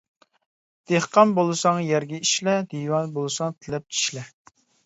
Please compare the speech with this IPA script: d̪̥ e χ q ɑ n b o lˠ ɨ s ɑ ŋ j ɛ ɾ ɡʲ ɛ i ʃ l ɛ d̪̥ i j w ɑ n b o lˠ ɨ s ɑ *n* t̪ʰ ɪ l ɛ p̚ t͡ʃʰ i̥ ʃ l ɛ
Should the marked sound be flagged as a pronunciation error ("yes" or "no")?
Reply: yes